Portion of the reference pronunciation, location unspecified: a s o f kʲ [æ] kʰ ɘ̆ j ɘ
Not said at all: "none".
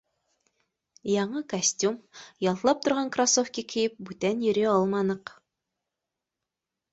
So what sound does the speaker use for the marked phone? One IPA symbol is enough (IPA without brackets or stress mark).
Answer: i